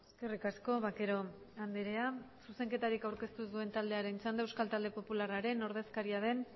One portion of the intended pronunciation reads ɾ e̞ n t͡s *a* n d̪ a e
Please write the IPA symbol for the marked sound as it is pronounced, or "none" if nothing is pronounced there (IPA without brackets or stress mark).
a